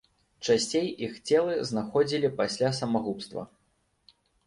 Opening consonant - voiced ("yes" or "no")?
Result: no